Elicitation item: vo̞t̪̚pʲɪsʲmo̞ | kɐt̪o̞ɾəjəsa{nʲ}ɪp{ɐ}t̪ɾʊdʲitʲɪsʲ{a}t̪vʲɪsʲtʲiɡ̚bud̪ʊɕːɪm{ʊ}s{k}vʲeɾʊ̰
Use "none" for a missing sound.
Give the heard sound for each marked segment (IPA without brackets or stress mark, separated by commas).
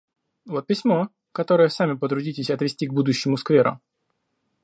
mʲ, ə, ɐ, ʊ, k